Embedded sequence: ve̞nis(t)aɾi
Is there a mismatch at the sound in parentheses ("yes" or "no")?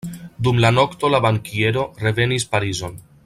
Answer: yes